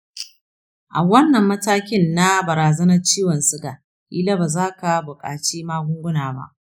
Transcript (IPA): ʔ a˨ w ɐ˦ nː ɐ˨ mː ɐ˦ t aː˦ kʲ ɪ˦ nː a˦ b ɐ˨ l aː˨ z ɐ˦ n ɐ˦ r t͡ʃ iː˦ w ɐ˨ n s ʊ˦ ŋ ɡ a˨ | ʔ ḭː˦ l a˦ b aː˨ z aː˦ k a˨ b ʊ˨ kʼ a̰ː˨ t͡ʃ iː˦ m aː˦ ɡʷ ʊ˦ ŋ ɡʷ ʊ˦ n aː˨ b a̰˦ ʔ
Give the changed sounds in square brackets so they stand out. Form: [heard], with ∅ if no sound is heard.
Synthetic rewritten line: ʔ a˨ w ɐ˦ nː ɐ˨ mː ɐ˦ t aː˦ kʲ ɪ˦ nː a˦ b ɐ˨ [ɾ] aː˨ z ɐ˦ n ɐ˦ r t͡ʃ iː˦ w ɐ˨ n s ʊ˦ [∅] ɡ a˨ | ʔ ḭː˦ l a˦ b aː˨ z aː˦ k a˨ b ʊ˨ kʼ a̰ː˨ t͡ʃ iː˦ m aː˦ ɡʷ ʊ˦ ŋ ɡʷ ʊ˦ n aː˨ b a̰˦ ʔ

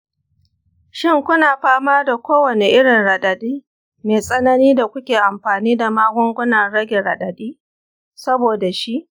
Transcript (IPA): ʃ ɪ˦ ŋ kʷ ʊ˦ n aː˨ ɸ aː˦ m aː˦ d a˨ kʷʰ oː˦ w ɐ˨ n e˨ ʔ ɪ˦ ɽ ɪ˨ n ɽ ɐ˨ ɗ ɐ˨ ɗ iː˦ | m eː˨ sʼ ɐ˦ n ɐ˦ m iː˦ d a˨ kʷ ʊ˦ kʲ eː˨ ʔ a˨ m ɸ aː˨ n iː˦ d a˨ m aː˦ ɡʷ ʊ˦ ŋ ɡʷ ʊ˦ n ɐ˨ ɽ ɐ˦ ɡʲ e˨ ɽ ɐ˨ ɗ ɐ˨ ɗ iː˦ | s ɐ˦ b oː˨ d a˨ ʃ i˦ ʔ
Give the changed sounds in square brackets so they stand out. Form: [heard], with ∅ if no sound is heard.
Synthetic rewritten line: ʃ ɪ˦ ŋ kʷ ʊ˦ n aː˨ ɸ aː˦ m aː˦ d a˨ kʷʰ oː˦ w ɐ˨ n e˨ ʔ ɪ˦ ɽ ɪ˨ n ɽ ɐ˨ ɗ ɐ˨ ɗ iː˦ | m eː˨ sʼ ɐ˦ n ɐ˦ [n] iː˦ d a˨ kʷ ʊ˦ kʲ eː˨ ʔ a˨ m ɸ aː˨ n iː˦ d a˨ m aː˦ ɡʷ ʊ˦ ŋ ɡʷ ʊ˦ n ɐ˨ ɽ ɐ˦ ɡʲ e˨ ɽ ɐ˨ ɗ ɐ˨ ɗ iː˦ | s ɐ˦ b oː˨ d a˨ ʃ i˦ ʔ

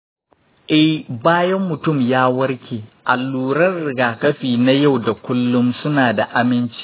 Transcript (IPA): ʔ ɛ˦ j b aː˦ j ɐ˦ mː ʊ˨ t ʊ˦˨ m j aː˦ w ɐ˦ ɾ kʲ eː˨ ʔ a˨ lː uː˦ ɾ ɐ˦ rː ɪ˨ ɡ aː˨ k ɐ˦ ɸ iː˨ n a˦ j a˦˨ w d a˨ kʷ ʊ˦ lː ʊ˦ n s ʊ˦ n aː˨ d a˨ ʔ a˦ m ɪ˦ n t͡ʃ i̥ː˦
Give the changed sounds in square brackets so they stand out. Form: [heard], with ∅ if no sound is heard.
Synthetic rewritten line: ʔ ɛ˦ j b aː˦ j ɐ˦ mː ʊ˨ t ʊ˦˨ m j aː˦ w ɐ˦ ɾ kʲ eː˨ ʔ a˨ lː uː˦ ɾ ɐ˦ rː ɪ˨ ɡ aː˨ k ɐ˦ ɸ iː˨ n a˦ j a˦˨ w d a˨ kʷ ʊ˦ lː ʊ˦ [m] s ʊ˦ n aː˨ d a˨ ʔ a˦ m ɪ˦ n t͡ʃ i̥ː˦

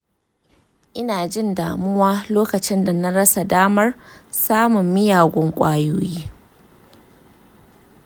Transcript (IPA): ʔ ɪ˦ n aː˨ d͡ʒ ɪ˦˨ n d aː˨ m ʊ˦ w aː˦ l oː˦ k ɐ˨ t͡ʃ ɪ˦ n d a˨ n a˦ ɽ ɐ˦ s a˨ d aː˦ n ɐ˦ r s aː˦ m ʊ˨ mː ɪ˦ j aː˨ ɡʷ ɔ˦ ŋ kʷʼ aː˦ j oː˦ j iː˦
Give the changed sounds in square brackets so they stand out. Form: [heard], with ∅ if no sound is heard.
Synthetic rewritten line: ʔ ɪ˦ n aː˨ d͡ʒ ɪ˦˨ n d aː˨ m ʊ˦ w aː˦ l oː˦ k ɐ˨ t͡ʃ ɪ˦ n d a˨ n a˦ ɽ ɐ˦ s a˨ d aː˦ [m] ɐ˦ r s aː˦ m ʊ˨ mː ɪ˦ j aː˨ ɡʷ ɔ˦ ŋ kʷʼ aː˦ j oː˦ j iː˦

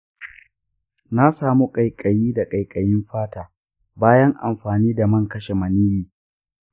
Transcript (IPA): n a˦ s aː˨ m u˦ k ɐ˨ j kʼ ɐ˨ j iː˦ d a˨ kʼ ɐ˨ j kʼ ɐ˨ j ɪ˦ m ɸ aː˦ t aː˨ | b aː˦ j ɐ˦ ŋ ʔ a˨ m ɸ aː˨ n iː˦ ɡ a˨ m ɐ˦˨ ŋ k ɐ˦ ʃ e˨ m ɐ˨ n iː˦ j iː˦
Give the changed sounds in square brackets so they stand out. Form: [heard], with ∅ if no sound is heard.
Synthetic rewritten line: n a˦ s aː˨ m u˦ [kʼ] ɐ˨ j kʼ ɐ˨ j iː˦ d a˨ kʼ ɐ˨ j kʼ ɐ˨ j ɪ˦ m ɸ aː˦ t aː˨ | b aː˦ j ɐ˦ ŋ ʔ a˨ m ɸ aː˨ n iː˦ [d] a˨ m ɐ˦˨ ŋ k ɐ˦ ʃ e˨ m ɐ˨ n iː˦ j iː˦

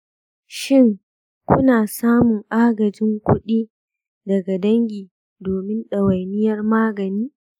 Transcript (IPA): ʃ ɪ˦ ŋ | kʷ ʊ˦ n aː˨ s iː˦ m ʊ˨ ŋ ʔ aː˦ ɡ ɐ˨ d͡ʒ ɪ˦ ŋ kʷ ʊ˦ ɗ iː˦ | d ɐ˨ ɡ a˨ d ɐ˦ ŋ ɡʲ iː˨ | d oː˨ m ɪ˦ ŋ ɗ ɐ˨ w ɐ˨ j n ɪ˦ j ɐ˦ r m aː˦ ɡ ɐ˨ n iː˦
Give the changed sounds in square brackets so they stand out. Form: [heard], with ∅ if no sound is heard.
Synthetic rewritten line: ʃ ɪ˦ ŋ | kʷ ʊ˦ n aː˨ s [aː˦] m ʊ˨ ŋ ʔ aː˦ ɡ ɐ˨ d͡ʒ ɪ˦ ŋ kʷ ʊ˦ ɗ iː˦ | d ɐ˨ ɡ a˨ d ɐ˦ ŋ ɡʲ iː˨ | d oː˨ m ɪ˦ [n] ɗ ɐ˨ w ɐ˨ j n ɪ˦ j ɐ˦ r m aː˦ ɡ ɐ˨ n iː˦

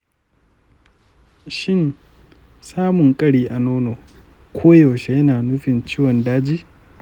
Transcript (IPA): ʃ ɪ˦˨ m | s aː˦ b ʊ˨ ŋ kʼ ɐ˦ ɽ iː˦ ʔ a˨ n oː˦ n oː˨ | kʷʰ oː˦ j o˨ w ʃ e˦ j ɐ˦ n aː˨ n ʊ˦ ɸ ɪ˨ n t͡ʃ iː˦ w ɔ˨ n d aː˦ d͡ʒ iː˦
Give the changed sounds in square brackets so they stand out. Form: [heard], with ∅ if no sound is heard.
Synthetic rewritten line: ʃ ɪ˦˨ [n] | s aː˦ [m] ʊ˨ ŋ kʼ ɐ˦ ɽ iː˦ ʔ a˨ n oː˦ n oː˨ | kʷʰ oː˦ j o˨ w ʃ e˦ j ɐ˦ n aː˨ n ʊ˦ ɸ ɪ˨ n t͡ʃ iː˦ w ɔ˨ n d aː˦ d͡ʒ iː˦

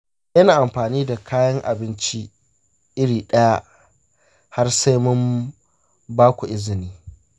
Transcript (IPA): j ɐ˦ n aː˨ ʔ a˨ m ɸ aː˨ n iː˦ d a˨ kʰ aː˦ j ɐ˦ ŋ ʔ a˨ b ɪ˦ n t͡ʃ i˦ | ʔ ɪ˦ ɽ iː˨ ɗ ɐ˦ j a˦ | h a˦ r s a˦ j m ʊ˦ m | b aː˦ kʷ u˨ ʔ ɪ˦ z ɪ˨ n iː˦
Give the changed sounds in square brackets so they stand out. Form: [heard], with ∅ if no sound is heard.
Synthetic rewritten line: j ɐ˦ n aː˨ ʔ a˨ m ɸ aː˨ n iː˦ d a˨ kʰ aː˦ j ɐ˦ ŋ ʔ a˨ b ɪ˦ n t͡ʃ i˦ | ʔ ɪ˦ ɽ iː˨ ɗ ɐ˦ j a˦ | h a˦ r s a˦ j m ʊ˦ m | b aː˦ kʷ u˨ ʔ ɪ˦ z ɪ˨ n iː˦

